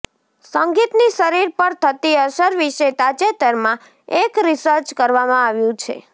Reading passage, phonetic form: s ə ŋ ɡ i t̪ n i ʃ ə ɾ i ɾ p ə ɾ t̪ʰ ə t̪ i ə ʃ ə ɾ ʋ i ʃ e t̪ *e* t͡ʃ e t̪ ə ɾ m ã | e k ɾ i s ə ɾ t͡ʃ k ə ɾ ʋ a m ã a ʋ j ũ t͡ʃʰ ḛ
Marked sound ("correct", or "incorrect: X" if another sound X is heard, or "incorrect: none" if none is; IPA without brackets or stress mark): incorrect: a